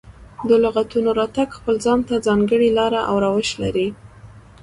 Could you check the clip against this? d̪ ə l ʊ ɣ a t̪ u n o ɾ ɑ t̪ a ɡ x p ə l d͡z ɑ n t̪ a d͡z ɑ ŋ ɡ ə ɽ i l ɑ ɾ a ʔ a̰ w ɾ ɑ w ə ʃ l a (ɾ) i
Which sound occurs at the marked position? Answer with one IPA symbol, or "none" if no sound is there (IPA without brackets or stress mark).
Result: ɾ